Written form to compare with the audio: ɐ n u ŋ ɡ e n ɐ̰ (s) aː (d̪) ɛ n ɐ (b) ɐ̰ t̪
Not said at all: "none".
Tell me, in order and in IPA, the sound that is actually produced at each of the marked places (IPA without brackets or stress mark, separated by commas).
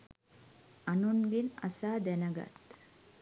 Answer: s, d̪, ɡ